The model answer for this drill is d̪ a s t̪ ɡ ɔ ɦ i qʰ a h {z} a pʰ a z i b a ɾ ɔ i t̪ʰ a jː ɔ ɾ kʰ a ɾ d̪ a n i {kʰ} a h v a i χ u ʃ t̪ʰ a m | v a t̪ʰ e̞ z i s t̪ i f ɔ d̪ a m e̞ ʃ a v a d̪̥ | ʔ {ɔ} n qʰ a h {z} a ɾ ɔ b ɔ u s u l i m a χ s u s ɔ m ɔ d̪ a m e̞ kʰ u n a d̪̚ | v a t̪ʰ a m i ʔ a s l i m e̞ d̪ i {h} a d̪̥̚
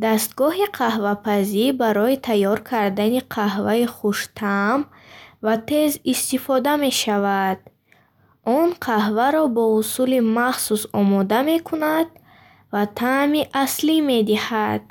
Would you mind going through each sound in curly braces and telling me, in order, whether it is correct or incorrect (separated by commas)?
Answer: incorrect, incorrect, correct, incorrect, correct